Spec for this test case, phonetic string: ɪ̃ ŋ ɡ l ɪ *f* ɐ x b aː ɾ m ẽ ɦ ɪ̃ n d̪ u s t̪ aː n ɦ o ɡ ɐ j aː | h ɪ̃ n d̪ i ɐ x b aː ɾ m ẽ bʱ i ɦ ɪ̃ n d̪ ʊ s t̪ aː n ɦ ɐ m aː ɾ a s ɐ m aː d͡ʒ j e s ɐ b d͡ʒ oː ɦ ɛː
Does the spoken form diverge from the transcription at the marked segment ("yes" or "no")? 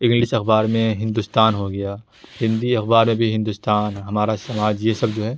yes